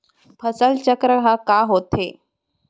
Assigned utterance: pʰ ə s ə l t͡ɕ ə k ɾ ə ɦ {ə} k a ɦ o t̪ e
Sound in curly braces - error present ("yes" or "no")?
yes